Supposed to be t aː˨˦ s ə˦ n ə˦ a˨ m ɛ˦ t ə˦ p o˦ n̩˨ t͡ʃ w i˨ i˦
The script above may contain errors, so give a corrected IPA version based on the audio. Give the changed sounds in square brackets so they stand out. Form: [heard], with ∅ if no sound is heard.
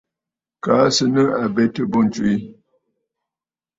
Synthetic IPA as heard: [k] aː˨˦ s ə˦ n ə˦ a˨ [b] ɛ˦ t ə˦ [b] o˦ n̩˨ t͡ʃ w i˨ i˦